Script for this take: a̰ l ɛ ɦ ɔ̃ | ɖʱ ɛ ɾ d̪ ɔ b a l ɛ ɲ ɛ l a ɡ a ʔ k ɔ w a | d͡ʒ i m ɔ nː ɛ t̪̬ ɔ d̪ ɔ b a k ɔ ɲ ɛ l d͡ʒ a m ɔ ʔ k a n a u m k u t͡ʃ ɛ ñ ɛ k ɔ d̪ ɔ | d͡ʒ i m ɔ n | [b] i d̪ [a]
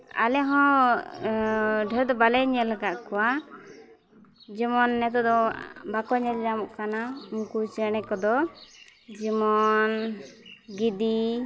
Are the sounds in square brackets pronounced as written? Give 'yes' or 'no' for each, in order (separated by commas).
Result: no, no